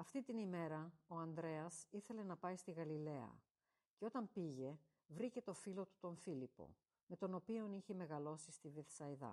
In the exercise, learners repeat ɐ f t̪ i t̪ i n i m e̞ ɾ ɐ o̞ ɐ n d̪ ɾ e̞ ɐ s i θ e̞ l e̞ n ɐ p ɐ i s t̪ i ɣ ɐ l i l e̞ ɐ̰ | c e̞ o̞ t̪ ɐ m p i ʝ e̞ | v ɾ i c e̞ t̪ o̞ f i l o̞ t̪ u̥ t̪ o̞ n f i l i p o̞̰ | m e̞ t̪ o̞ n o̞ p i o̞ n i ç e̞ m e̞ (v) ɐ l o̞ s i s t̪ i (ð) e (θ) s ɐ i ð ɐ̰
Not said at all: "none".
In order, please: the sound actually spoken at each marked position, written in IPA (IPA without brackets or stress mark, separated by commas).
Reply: ɣ, v, θ